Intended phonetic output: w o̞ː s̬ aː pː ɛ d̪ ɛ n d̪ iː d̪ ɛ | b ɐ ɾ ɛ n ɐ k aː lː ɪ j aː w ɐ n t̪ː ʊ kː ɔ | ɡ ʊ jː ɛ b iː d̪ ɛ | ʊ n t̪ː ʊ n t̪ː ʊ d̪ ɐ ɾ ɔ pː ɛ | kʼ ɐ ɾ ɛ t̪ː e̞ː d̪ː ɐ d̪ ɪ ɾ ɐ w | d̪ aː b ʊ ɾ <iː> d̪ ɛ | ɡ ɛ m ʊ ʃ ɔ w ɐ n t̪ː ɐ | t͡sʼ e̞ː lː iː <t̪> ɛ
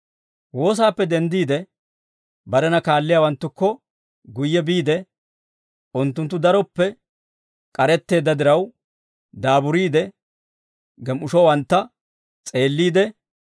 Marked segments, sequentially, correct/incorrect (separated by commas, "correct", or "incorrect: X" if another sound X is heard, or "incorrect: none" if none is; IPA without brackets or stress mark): correct, incorrect: d̪